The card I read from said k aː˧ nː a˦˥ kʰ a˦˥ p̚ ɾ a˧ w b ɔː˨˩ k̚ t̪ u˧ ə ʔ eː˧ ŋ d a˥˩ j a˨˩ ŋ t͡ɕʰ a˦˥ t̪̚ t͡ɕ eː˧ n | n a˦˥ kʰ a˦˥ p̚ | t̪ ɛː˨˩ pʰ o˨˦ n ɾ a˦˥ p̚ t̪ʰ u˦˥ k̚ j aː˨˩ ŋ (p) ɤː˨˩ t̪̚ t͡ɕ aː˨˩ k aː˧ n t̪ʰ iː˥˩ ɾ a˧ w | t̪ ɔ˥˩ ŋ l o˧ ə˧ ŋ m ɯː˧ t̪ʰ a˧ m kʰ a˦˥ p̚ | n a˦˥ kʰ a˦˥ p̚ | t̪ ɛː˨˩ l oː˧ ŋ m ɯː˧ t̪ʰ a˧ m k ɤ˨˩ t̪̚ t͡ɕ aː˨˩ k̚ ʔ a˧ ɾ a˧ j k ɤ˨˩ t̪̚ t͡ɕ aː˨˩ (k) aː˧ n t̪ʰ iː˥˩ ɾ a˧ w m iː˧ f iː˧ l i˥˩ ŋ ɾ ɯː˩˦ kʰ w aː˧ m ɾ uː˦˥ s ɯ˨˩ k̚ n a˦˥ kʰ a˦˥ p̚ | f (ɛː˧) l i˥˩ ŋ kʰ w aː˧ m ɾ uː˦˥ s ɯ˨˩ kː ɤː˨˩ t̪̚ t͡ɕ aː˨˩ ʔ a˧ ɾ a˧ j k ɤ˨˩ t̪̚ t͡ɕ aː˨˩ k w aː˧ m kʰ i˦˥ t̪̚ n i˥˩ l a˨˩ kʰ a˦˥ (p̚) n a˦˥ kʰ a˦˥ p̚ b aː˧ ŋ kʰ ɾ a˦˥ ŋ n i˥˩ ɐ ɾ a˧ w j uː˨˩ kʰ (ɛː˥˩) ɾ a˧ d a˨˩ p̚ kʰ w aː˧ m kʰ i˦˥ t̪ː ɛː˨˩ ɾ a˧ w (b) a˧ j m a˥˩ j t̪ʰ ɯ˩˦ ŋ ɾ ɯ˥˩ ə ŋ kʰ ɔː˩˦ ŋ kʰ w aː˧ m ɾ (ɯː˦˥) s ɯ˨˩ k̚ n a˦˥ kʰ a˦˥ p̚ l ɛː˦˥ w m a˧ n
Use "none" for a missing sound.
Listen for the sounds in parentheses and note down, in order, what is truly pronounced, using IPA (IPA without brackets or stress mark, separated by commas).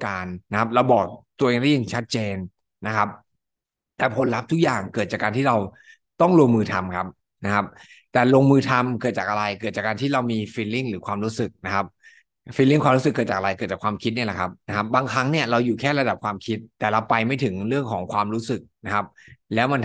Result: k, k, iː˧, p̚, ɛː˥˩, p, uː˦˥